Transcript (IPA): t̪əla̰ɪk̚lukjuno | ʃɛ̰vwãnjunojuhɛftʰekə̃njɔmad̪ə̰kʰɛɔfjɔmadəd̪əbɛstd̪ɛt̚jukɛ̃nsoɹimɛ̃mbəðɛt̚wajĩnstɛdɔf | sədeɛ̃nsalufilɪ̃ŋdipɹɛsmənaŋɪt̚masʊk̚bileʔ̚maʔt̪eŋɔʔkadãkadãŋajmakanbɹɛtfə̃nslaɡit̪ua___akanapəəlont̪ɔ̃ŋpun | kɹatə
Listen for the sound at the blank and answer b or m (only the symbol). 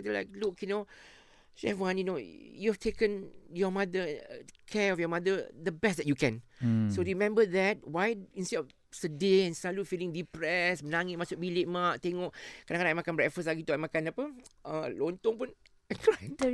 m